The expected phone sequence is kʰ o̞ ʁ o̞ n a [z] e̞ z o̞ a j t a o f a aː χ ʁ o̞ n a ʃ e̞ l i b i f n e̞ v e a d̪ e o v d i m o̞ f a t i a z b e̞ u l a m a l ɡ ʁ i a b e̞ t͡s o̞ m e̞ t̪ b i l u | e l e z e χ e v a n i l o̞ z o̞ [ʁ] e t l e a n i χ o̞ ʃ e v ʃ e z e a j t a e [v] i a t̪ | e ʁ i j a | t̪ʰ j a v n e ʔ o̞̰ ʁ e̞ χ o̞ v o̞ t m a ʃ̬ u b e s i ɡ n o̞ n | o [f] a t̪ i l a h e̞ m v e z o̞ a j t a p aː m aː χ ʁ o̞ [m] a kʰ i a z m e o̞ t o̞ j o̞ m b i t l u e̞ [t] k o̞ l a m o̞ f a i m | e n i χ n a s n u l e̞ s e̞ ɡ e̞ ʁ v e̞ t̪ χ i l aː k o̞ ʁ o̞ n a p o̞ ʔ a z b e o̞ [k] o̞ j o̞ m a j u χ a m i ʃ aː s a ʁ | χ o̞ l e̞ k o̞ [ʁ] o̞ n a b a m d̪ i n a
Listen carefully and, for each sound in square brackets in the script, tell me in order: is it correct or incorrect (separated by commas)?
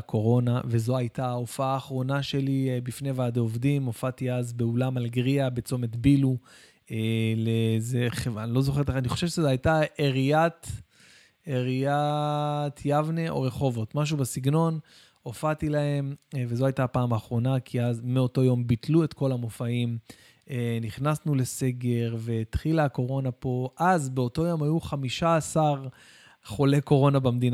incorrect, incorrect, incorrect, correct, incorrect, correct, incorrect, correct